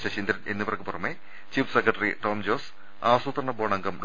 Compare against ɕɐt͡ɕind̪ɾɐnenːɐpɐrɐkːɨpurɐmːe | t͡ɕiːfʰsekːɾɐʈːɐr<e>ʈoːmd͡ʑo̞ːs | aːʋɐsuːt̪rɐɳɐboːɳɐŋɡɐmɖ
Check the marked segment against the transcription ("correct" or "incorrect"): incorrect